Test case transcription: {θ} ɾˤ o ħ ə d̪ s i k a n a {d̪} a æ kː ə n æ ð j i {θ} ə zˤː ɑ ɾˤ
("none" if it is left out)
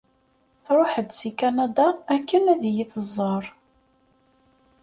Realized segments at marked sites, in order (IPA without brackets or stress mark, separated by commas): θ, d̪, θ